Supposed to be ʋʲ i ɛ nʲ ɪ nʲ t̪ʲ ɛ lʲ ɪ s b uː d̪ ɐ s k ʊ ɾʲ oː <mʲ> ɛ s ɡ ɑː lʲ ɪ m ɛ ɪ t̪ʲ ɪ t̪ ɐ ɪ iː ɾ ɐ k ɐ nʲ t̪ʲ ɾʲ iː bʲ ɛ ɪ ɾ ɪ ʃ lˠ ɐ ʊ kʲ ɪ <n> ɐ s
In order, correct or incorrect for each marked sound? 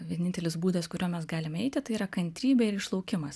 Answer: correct, incorrect: m

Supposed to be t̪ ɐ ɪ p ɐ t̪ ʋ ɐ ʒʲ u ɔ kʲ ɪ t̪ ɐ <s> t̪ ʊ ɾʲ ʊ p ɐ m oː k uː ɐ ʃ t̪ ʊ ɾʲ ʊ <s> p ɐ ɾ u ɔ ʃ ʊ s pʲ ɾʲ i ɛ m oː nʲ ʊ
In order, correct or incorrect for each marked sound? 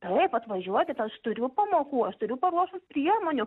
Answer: incorrect: ʃ, incorrect: none

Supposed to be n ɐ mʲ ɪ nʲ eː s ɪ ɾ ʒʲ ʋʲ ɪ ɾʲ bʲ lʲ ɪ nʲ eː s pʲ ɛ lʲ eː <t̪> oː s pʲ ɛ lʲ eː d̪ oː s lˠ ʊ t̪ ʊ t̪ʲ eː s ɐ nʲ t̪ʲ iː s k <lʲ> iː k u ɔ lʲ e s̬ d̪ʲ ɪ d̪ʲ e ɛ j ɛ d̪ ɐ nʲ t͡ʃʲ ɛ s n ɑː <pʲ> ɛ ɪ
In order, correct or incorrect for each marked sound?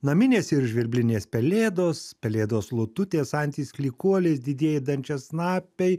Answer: incorrect: d̪, correct, correct

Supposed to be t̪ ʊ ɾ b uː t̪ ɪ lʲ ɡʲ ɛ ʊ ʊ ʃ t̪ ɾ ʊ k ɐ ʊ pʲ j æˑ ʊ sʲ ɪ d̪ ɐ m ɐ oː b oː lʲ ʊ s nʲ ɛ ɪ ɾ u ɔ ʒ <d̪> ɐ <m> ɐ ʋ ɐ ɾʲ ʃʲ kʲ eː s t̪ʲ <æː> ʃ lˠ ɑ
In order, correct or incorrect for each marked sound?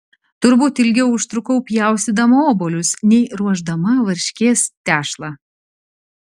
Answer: correct, correct, correct

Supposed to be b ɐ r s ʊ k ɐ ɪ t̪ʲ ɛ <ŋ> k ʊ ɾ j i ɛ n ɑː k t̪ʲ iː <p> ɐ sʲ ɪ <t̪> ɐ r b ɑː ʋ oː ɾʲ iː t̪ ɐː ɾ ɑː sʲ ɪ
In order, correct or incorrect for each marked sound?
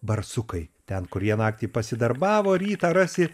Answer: incorrect: n, correct, incorrect: d̪

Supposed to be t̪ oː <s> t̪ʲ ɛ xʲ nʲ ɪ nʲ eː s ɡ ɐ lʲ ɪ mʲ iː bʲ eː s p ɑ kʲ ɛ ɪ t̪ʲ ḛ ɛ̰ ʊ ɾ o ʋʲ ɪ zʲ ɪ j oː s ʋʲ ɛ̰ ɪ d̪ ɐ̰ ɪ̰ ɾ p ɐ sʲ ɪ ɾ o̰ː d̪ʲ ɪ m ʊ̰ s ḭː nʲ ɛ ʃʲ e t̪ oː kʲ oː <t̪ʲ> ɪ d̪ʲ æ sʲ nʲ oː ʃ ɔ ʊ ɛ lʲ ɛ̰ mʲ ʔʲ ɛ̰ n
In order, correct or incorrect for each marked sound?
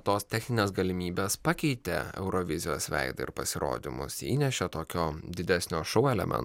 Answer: correct, incorrect: d̪ʲ

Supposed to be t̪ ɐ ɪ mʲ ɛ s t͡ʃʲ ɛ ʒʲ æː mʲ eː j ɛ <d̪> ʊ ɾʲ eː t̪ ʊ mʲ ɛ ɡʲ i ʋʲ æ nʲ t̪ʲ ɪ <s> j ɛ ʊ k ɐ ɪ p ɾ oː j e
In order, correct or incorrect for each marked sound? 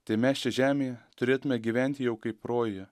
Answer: incorrect: t̪, incorrect: none

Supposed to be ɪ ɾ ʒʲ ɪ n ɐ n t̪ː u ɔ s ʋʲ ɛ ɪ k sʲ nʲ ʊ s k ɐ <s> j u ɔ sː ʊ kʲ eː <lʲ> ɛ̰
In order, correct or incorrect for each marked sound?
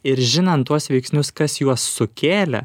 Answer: correct, correct

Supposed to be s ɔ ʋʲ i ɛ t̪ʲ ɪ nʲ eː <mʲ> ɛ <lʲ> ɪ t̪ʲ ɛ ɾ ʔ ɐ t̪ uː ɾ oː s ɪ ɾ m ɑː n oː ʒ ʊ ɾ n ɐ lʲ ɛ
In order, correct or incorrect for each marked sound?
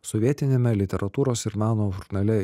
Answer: correct, correct

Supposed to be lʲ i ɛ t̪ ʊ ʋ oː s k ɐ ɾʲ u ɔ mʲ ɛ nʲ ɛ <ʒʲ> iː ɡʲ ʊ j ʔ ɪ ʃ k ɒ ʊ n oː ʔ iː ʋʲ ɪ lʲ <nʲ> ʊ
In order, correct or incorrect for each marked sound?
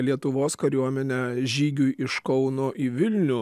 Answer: correct, correct

